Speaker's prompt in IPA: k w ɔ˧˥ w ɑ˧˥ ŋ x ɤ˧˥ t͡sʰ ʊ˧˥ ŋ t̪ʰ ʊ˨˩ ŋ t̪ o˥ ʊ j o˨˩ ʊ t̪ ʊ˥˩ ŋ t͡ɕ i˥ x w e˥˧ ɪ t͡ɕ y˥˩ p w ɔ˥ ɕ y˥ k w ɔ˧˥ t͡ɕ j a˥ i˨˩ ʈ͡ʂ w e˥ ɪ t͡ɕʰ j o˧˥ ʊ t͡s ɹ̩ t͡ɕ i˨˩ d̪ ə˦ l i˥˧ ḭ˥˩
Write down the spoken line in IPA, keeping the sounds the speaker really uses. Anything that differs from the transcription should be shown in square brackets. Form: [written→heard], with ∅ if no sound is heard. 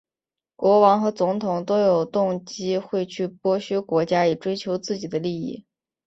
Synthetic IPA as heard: k w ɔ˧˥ w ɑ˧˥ ŋ x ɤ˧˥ [t͡sʰ→t͡s] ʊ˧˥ ŋ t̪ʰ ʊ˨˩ ŋ t̪ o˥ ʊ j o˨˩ ʊ t̪ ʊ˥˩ ŋ t͡ɕ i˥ x w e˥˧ ɪ [t͡ɕ→t͡ɕʰ] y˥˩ p w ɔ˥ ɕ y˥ k w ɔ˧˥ t͡ɕ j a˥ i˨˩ ʈ͡ʂ w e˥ ɪ t͡ɕʰ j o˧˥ ʊ t͡s ɹ̩ t͡ɕ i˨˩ d̪ ə˦ l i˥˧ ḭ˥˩